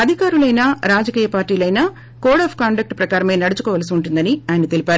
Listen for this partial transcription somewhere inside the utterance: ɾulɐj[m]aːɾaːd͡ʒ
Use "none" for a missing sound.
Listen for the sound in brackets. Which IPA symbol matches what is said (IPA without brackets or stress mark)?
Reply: n